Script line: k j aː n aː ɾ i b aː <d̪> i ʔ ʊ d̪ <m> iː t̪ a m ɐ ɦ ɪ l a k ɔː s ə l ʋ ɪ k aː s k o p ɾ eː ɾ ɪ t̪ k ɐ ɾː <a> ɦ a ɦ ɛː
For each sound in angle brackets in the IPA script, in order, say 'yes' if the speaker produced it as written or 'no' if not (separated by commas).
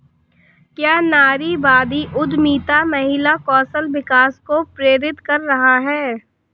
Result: yes, yes, no